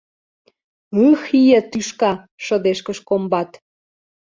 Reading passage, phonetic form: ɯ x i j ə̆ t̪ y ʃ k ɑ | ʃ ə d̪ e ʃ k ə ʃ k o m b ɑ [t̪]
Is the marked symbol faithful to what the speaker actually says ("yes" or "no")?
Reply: yes